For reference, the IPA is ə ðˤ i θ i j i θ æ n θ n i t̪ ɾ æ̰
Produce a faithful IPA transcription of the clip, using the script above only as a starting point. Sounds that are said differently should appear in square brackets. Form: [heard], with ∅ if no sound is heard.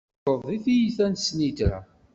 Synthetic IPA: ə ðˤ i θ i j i θ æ n [s] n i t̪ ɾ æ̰